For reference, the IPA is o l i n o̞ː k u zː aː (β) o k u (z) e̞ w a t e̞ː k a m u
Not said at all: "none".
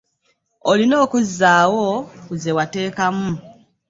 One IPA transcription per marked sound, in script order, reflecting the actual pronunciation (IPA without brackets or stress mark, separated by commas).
w, z